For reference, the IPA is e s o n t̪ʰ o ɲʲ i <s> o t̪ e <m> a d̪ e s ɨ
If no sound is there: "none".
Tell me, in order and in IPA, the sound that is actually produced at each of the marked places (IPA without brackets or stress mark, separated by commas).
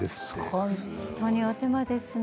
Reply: none, m